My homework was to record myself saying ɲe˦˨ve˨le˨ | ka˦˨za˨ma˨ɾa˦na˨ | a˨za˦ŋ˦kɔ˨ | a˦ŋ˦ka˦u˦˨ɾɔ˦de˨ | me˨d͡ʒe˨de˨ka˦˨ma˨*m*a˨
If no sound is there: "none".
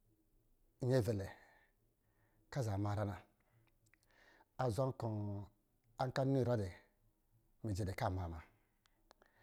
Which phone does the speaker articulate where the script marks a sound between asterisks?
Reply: m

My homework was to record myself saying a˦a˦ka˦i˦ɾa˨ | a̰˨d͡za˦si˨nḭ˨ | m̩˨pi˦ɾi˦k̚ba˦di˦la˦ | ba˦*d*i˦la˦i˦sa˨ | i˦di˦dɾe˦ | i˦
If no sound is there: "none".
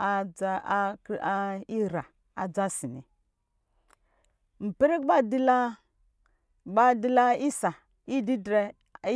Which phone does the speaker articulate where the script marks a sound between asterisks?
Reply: d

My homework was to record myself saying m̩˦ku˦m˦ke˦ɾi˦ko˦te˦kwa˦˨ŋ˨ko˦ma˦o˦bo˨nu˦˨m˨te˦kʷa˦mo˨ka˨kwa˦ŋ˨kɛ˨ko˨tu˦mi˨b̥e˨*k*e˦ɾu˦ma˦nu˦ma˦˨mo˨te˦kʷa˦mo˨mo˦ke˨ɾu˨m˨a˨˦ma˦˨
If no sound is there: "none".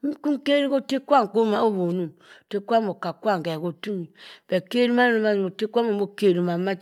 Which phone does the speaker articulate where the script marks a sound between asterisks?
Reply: k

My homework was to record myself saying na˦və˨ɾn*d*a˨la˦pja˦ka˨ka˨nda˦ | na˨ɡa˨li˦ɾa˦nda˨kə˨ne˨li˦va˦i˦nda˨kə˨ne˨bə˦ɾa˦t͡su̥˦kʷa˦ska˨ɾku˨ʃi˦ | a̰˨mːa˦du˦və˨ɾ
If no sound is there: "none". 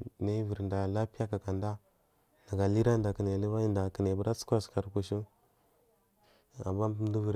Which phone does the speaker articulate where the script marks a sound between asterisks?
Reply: d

